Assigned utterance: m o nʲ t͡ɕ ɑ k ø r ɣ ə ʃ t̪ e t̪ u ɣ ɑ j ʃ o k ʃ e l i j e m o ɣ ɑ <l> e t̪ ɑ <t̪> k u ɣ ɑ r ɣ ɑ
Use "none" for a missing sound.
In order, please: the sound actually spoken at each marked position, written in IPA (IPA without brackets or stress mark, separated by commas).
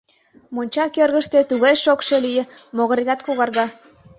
ɾ, t̪